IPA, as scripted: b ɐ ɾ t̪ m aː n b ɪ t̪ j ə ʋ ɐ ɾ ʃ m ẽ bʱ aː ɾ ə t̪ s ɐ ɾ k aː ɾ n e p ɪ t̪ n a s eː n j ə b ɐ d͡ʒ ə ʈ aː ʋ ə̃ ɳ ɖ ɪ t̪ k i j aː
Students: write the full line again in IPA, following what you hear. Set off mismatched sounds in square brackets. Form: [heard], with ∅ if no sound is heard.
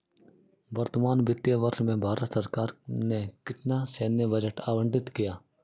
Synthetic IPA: b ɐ ɾ t̪ m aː n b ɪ t̪ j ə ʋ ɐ ɾ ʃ m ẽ bʱ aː ɾ ə t̪ s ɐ ɾ k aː ɾ n e [k] ɪ t̪ n a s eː n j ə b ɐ d͡ʒ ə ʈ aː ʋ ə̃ ɳ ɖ ɪ t̪ k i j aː

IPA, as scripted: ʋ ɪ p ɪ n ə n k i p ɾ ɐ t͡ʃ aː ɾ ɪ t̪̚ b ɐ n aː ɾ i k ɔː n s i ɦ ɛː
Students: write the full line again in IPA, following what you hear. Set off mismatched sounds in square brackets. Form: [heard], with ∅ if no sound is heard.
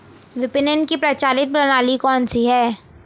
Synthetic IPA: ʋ ɪ p ɪ n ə n k i p ɾ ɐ t͡ʃ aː [l] ɪ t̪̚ b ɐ n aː [l] i k ɔː n s i ɦ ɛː

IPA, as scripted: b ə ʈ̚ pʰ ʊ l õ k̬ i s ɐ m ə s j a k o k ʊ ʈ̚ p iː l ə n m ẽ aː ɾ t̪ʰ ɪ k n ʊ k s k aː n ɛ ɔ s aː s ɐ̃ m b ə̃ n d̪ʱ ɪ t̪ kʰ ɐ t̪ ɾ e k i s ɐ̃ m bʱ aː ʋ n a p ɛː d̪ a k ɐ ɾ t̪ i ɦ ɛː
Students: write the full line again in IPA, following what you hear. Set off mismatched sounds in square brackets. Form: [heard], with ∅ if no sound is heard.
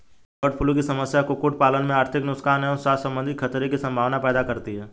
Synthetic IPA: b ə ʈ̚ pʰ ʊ l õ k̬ i s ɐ m ə s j a k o k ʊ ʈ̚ p [aː] l ə n m ẽ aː ɾ t̪ʰ ɪ k n ʊ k s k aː n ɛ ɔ s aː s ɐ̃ m b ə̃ n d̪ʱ ɪ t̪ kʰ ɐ t̪ ɾ e k i s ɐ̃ m bʱ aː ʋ n a p ɛː d̪ a k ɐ ɾ t̪ i ɦ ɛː

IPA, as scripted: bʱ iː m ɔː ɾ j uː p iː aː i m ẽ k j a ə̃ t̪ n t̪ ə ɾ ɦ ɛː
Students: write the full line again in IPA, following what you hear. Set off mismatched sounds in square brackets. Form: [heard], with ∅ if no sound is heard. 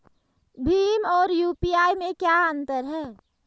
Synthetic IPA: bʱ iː m ɔː ɾ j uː p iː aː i m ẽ k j a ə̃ [∅] n t̪ ə ɾ ɦ ɛː

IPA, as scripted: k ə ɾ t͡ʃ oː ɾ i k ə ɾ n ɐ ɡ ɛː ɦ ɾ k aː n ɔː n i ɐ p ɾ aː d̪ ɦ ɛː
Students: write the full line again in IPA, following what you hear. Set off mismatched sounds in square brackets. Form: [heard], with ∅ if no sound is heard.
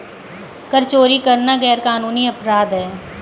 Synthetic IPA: k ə ɾ t͡ʃ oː ɾ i k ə ɾ n [a] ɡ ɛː [∅] ɾ k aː n [uː] n i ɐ p ɾ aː d̪ ɦ ɛː

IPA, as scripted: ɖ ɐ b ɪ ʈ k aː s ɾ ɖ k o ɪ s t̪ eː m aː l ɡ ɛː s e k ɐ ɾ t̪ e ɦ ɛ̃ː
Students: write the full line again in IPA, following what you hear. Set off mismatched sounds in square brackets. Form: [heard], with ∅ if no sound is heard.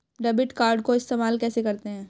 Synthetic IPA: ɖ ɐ b ɪ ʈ k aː [∅] ɾ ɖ k o ɪ s t̪ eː m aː l [k] ɛː s e k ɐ ɾ t̪ e ɦ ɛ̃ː

